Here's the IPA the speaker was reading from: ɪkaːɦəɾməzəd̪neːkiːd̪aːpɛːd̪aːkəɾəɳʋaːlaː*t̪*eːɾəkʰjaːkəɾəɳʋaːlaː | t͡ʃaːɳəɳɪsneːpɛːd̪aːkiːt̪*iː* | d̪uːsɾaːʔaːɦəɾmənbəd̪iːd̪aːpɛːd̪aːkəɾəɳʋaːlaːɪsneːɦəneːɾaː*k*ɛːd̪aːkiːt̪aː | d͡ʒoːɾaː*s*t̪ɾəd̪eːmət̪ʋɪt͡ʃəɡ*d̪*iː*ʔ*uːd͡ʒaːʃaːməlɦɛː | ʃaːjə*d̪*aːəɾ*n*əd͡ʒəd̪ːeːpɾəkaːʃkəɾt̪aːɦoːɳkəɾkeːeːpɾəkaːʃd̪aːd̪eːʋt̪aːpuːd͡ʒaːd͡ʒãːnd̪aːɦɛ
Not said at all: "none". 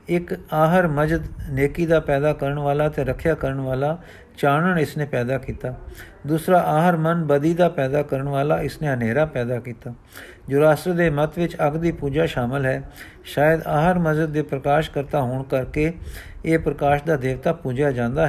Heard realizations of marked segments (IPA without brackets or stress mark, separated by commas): t̪, aː, p, s, d̪, p, d̪, m